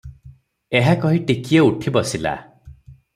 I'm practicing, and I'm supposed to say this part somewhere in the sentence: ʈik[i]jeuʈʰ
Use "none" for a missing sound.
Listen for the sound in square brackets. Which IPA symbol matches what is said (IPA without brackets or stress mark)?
i